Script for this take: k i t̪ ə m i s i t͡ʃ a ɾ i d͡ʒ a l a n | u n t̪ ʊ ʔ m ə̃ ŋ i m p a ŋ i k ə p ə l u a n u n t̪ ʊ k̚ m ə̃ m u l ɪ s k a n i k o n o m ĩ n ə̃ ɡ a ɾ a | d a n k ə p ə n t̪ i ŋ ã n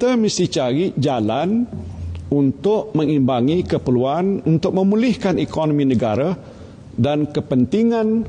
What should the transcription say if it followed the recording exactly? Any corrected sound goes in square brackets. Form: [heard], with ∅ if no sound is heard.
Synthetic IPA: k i t̪ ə m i s i t͡ʃ a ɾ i d͡ʒ a l a n | u n t̪ ʊ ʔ m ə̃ ŋ i m [b] a ŋ i k ə p ə l u a n u n t̪ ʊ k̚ m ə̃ m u l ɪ [h] k a n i k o n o m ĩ n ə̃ ɡ a ɾ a | d a n k ə p ə n t̪ i ŋ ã n

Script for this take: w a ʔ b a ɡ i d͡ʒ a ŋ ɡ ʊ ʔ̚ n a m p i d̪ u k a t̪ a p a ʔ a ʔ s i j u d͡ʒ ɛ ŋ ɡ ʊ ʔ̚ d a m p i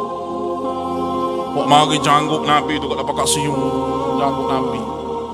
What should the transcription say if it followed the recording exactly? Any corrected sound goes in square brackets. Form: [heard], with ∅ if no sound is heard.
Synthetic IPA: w a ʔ [m] a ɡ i d͡ʒ a ŋ ɡ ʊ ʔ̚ n a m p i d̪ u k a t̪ a p a [k] a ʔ s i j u d͡ʒ [a] ŋ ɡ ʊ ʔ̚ [n] a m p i

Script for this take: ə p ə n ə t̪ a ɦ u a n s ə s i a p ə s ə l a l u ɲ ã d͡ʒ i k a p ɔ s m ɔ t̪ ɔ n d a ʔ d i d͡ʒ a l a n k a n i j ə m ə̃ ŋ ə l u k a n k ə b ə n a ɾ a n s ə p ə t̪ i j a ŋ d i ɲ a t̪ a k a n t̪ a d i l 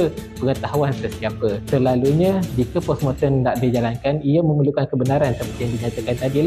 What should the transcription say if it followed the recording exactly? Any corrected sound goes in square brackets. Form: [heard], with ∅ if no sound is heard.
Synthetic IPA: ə p ə [ŋ] ə t̪ a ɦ u a n s ə s i a p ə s ə l a l u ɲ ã d͡ʒ i k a p ɔ s m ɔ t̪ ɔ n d a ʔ d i d͡ʒ a l a n k a n i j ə m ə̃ [m] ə l u k a n k ə b ə n a ɾ a n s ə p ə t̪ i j a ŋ d i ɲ a t̪ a k a n t̪ a d i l

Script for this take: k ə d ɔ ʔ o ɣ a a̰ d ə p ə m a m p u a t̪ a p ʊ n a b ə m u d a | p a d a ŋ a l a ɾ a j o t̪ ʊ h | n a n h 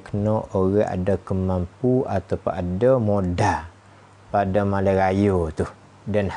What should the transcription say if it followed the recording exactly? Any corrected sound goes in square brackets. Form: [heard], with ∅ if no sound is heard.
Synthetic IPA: k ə [n] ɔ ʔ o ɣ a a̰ d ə [k] ə m a m p u a t̪ a p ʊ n a [d] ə m [o] d a | p a d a [m] a l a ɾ a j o t̪ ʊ h | [d] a n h

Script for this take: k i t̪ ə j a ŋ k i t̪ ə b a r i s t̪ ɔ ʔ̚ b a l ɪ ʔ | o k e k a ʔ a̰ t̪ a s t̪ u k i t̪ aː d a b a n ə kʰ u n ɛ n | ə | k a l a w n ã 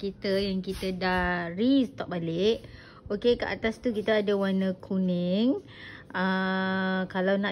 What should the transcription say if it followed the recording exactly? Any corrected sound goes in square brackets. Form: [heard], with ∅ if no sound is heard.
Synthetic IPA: k i t̪ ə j a ŋ k i t̪ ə [d] a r i s t̪ ɔ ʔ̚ b a l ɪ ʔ | o k e k [ə] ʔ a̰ t̪ a s t̪ u k i t̪ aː d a [w] a n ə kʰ u n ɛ [ŋ] | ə | k a l a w n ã

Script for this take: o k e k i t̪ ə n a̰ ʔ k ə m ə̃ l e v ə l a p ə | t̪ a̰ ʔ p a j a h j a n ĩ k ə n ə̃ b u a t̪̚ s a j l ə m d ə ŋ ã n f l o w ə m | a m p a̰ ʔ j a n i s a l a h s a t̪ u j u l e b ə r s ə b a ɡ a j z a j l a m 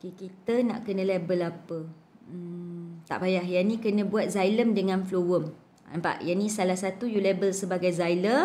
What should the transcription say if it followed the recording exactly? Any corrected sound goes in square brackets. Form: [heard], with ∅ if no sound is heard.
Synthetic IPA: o k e k i t̪ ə n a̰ ʔ k ə [n] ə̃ l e [b] ə l a p ə | t̪ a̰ ʔ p a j a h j a n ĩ k ə n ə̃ b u a t̪̚ [z] a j l ə m d ə ŋ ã n f l o w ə m | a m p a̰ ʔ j a n i s a l a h s a t̪ u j u l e b ə [l] s ə b a ɡ a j z a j l [ə] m

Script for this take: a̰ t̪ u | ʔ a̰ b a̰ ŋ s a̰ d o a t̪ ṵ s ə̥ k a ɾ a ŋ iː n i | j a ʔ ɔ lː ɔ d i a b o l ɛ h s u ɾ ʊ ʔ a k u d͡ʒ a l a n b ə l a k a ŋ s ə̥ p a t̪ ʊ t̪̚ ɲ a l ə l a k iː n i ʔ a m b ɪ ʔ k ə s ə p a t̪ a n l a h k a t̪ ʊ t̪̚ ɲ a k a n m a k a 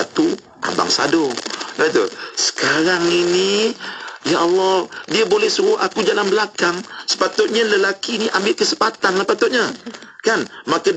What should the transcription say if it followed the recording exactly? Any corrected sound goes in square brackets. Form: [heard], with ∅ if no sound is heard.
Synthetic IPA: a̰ t̪ u | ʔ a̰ b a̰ ŋ s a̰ d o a t̪ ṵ s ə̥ k a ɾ a ŋ [i] n i | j a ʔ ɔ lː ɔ d i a b o l ɛ h s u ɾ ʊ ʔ a k u d͡ʒ a l a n b ə l a k a ŋ s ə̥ p a t̪ ʊ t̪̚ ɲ a l ə l a k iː n i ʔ a m b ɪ ʔ k ə s ə p a t̪ a n l a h [p] a t̪ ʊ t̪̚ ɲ a k a n m a k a

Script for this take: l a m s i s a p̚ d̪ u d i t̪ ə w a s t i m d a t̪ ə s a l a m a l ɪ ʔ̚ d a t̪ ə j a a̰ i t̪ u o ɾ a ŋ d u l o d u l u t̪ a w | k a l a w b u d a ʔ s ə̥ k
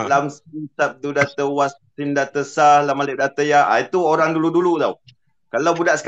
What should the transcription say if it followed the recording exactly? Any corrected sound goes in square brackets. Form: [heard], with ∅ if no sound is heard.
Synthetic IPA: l a m s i s a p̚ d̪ u d [a] t̪ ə w a s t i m d a t̪ ə s a l a m a l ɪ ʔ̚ d a t̪ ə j a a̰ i t̪ u o ɾ a ŋ d u l [u] d u l u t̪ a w | k a l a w b u d a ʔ s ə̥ k

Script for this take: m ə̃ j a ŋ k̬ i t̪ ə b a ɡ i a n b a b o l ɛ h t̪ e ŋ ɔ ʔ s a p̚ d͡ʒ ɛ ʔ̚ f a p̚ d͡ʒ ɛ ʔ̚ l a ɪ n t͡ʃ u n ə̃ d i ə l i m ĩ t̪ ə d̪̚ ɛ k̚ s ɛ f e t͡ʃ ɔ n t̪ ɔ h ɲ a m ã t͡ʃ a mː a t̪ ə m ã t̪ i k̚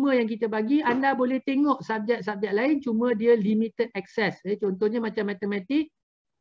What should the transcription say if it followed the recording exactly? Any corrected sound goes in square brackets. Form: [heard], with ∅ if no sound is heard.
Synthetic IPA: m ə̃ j a ŋ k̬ i t̪ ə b a ɡ i a n [d] a b o l ɛ h t̪ e ŋ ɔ ʔ s a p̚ d͡ʒ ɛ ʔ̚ [s] a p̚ d͡ʒ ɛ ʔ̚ l a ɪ n t͡ʃ u [m] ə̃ d i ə l i m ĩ t̪ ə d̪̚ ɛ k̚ s ɛ [s] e t͡ʃ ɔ n t̪ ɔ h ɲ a m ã t͡ʃ a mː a t̪ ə m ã t̪ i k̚

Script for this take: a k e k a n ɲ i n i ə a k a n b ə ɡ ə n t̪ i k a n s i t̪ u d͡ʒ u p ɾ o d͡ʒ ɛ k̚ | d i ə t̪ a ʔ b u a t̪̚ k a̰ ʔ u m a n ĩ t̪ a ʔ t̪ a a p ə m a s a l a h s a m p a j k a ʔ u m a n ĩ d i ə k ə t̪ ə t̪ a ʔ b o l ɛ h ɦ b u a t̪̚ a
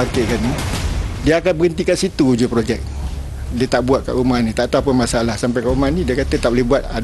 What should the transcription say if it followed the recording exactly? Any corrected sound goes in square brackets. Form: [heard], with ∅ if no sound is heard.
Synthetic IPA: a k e k a n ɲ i [d] i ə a k a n b ə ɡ ə n t̪ i k a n s i t̪ u d͡ʒ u p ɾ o d͡ʒ ɛ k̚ | d i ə t̪ a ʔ b u a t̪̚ k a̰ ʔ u m a n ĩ t̪ a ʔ t̪ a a p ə m a s a l a h s a m p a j k a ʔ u m a n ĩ d i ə k [a] t̪ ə t̪ a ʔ b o l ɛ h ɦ b u a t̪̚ a

